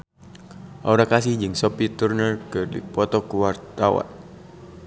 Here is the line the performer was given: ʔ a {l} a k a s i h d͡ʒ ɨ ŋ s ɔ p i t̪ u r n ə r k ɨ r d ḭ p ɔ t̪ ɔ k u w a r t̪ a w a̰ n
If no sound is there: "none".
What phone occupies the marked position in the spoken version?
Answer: ɾ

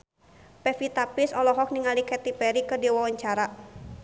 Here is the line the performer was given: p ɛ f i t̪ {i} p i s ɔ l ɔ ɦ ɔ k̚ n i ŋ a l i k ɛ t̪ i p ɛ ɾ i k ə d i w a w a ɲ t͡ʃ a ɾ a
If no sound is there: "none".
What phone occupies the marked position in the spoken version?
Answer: a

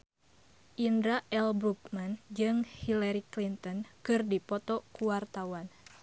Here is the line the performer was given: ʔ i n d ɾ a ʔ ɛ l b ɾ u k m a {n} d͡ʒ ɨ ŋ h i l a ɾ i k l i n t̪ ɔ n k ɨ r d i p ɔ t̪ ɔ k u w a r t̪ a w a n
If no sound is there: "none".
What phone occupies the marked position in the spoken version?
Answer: n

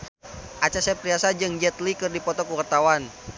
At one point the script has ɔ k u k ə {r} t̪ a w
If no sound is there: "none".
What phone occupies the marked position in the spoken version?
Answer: r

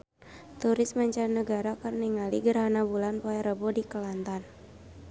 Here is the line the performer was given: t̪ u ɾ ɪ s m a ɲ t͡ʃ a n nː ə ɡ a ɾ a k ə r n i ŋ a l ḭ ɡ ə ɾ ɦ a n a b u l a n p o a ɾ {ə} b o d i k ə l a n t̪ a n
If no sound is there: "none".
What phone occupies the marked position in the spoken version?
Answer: ə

